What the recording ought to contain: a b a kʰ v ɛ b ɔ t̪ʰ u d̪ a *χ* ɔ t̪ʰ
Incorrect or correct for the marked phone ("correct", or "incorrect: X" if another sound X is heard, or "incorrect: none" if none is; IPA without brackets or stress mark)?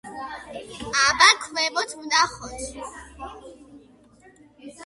correct